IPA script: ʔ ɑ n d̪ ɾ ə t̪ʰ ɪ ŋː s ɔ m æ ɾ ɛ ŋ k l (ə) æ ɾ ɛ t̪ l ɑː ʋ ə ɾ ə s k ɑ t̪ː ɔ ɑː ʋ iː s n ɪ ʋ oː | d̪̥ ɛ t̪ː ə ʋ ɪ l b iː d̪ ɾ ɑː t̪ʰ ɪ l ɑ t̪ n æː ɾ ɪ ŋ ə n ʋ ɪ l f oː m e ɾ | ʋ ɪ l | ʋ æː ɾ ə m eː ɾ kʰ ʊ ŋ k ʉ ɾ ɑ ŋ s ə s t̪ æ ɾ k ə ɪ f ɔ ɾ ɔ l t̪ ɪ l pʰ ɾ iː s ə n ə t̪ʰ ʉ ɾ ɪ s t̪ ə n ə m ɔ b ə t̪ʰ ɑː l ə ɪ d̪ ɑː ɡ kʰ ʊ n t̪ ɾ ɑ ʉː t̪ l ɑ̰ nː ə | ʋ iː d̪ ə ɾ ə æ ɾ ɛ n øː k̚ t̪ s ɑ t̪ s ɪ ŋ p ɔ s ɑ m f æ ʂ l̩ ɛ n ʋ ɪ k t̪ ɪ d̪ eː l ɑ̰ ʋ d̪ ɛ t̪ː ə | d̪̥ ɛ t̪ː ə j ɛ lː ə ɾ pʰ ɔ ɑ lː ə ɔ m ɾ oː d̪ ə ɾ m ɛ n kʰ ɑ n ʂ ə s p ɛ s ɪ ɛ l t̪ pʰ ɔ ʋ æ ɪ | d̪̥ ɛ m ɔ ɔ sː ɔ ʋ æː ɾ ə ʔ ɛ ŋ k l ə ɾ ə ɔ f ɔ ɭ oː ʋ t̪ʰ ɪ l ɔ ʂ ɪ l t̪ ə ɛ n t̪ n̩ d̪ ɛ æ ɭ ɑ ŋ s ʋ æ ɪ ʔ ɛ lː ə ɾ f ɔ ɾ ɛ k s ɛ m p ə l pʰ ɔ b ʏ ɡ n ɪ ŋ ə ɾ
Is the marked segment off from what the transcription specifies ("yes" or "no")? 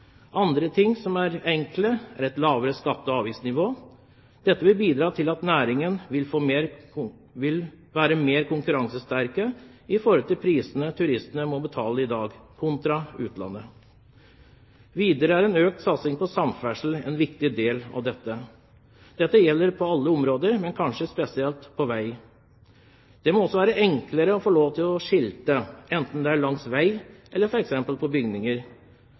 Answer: no